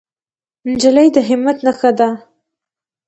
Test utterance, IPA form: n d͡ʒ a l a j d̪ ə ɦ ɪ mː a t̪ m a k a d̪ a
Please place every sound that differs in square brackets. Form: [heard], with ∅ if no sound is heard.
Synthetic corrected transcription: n d͡ʒ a l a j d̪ ə ɦ ɪ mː a t̪ [n] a [x] a d̪ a